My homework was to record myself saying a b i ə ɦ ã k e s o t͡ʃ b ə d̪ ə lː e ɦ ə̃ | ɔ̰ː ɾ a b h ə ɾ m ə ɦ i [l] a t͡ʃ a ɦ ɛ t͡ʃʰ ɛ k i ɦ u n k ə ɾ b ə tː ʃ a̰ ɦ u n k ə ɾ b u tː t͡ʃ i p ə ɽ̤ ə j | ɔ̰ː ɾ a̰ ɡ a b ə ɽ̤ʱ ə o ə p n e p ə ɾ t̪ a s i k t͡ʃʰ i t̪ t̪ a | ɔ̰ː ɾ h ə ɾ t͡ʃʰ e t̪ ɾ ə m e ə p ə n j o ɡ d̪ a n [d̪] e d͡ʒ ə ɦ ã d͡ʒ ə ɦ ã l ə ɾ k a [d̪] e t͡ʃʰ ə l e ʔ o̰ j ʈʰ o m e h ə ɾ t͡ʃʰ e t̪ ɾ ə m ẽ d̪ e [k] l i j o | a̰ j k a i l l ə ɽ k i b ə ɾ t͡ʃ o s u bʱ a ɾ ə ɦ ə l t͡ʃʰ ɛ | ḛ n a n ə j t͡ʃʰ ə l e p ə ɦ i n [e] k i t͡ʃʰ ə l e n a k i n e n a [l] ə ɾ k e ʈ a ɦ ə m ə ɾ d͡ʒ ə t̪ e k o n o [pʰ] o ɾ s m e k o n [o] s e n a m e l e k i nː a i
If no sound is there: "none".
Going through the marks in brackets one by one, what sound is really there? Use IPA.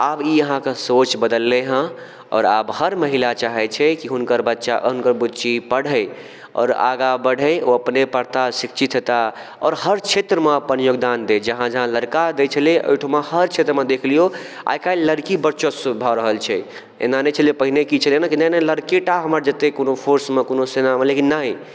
l, d̪, d̪, kʰ, e, l, pʰ, o

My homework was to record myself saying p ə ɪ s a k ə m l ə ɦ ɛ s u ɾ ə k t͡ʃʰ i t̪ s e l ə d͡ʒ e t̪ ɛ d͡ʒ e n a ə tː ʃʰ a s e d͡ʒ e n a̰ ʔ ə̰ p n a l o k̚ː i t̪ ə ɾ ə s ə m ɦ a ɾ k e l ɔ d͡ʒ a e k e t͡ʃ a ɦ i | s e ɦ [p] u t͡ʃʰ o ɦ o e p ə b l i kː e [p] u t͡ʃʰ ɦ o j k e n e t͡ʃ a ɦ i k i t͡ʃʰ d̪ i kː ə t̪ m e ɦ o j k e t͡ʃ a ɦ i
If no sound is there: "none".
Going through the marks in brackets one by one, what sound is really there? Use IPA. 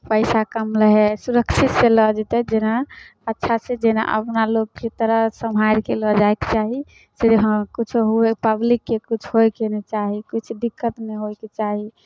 k, k

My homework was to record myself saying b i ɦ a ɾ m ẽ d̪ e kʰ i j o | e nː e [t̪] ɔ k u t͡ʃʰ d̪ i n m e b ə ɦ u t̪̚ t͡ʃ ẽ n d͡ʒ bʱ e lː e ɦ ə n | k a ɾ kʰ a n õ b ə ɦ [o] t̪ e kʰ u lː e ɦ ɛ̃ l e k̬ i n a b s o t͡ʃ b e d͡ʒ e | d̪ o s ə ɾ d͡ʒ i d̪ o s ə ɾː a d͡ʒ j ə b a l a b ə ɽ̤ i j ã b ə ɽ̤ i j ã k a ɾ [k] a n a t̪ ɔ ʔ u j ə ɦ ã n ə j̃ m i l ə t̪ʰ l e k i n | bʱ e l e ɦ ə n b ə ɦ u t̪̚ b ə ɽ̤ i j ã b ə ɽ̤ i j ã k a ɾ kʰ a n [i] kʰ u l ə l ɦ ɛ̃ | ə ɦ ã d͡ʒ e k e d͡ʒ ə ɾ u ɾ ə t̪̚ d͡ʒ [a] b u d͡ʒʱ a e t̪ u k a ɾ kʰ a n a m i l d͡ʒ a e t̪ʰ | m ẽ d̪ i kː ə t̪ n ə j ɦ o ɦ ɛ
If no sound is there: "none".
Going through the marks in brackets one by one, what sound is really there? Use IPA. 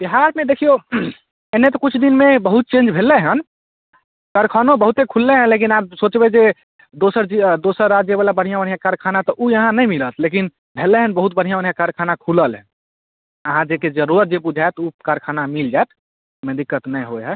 t̪, u, kʰ, a, e

